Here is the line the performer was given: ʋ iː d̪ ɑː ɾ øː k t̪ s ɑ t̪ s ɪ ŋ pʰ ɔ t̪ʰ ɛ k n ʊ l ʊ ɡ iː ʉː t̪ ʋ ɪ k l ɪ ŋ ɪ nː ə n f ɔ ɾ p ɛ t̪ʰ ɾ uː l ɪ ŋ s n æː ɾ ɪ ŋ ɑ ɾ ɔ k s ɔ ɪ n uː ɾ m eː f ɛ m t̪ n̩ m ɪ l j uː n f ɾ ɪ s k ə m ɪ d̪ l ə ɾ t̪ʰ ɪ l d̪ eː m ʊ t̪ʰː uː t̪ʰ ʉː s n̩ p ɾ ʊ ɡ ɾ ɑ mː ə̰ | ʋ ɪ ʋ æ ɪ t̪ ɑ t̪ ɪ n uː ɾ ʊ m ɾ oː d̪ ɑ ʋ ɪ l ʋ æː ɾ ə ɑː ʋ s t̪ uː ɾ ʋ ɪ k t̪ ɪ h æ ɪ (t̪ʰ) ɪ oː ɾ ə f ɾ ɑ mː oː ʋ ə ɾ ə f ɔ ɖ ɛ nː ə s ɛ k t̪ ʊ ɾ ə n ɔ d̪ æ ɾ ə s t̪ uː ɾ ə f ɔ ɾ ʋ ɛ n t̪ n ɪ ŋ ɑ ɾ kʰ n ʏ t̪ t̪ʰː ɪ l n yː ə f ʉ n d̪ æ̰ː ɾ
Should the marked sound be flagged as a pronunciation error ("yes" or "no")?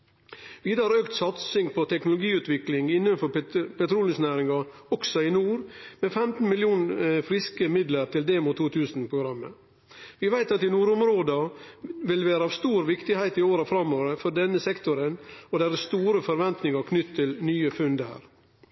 yes